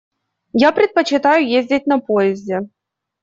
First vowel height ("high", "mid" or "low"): low